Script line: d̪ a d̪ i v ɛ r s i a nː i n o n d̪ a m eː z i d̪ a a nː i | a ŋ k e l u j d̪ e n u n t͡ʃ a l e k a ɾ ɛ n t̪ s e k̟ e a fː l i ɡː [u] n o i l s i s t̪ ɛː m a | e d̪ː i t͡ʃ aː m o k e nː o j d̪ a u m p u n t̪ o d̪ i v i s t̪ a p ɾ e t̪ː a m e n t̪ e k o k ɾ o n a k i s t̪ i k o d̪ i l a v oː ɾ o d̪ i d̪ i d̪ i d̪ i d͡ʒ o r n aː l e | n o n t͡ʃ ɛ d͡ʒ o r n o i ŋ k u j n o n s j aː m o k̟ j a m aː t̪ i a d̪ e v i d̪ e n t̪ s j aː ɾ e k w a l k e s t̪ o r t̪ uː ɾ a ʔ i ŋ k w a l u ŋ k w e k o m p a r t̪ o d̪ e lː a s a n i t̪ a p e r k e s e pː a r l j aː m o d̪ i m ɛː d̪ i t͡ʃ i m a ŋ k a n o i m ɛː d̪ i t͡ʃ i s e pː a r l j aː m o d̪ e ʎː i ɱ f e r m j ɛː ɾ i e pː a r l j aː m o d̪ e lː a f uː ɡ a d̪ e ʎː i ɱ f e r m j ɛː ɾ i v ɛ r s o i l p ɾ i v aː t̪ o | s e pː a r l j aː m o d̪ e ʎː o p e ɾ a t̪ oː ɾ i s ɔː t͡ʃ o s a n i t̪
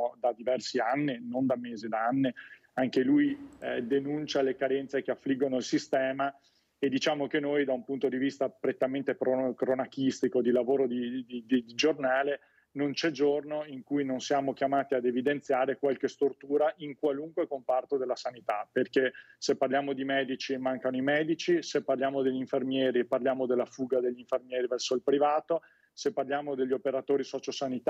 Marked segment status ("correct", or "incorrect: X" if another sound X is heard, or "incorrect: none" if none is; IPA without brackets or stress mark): incorrect: o